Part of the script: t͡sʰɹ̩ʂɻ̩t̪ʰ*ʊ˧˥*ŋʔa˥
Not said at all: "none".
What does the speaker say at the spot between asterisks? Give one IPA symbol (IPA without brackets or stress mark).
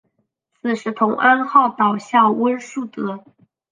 ʊ˧˥